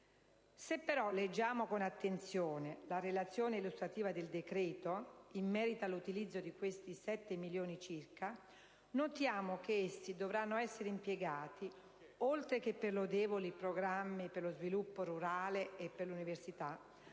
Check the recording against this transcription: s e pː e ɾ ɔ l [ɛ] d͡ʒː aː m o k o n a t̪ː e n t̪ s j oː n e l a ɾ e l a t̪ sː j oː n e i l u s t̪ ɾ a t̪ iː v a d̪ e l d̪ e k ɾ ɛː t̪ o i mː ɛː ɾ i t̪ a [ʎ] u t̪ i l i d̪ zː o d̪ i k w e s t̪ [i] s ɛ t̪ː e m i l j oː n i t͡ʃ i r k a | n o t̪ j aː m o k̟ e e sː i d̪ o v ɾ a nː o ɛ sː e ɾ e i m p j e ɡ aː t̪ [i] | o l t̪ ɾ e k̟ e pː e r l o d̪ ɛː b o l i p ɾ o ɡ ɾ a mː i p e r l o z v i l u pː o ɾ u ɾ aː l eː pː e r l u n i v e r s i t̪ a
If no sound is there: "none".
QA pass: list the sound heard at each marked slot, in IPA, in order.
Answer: e, l, i, i

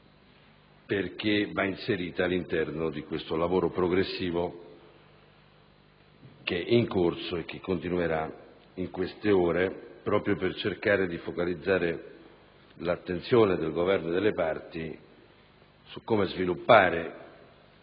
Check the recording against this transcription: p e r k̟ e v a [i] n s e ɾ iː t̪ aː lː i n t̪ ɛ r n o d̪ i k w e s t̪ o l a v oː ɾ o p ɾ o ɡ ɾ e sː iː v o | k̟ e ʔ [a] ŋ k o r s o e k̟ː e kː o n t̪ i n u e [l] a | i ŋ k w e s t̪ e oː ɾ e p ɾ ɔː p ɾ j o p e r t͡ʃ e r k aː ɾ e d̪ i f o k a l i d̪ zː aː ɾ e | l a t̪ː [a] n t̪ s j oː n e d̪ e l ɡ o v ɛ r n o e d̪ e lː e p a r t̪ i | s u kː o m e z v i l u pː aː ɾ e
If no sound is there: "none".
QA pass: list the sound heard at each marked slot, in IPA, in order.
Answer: i, i, ɾ, e

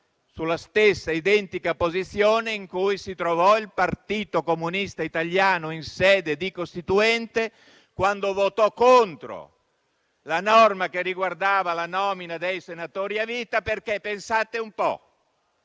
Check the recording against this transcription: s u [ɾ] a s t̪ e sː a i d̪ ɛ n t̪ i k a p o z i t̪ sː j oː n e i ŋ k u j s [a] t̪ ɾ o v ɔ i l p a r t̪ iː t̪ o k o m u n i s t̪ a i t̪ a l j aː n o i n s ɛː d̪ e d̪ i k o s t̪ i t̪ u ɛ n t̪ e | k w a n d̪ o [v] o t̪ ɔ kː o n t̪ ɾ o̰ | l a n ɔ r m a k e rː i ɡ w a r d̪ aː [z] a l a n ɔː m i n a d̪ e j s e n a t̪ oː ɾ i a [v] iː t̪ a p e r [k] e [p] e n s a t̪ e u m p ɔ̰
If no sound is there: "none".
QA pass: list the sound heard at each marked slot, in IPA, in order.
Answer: l, i, v, v, v, k, p

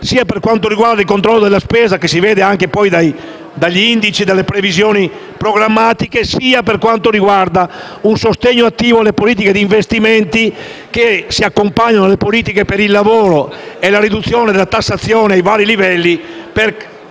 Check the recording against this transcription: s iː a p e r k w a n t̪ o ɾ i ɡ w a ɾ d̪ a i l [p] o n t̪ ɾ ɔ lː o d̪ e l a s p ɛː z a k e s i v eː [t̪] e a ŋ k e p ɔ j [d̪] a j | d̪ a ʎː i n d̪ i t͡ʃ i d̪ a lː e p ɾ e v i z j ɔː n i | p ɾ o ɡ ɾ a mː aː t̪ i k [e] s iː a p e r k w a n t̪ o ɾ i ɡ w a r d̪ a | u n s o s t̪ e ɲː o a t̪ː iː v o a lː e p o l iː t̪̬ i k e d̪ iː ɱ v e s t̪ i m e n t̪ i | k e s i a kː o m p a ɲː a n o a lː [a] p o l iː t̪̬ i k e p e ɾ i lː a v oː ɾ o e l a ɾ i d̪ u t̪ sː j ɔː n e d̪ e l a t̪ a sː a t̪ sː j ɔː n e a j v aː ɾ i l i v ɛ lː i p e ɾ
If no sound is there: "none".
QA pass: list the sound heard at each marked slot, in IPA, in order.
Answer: k, d̪, d̪, e, e

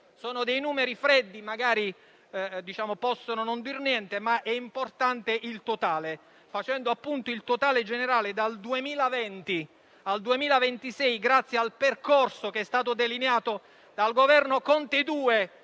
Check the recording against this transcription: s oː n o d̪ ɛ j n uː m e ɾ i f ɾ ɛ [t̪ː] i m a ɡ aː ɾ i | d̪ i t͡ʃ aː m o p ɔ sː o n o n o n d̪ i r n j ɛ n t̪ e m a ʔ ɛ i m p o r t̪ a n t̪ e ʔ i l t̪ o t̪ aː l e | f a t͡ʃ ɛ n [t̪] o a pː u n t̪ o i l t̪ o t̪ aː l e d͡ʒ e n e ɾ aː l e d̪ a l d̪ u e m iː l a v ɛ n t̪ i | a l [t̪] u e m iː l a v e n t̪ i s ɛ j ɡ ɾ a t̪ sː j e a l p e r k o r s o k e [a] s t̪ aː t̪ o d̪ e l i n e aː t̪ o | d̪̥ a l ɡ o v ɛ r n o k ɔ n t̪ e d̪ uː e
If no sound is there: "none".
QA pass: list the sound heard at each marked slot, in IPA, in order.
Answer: d̪ː, d̪, d̪, ɛ

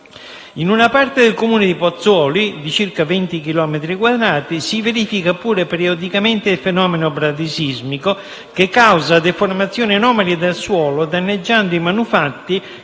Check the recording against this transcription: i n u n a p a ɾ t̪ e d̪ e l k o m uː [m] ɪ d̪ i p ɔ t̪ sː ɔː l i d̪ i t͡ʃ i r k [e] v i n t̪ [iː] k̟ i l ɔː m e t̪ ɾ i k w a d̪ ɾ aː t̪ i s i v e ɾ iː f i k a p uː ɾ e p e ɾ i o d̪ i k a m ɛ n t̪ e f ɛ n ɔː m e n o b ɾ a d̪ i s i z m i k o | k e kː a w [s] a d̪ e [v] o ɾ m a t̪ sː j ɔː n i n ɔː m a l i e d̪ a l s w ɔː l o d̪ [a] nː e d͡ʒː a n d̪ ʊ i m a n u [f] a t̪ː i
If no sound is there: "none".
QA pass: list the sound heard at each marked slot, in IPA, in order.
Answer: n, a, i, z, f, a, f

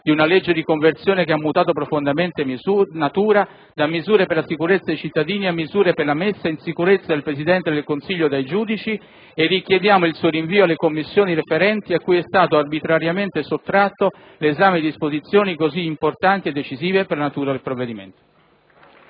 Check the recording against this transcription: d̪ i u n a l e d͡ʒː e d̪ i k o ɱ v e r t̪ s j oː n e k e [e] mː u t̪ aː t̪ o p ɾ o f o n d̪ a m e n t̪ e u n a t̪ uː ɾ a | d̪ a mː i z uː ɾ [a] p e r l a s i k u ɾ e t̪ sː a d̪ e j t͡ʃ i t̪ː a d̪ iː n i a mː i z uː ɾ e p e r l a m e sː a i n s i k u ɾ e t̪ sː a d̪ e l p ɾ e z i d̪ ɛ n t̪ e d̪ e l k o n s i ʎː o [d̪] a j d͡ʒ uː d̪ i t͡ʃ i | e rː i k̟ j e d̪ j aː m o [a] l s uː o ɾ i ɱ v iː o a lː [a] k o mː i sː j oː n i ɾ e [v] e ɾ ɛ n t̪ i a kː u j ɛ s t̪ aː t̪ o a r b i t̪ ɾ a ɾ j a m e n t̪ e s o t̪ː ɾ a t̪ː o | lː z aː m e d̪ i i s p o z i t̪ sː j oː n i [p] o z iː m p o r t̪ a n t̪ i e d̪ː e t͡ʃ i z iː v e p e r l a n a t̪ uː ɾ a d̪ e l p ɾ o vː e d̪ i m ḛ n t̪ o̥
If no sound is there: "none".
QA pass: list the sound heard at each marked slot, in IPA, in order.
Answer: a, e, d̪, i, e, f, k

